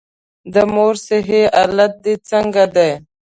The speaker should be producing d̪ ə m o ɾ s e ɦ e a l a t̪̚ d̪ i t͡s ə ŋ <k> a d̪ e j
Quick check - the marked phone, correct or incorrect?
incorrect